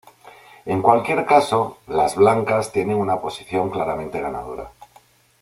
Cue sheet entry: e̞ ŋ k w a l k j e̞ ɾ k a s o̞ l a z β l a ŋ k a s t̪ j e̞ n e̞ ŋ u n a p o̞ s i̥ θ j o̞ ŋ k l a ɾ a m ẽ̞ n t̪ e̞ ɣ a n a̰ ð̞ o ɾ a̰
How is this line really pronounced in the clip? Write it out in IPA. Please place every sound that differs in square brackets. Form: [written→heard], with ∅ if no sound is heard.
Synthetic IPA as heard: e̞ ŋ k w a l k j e̞ ɾ k a s o̞ l a z β l a ŋ k a s t̪ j e̞ n e̞ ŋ u n a p o̞ s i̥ θ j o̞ ŋ k l a ɾ a m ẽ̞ n t̪ e̞ ɣ a n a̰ ð̞ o ɾ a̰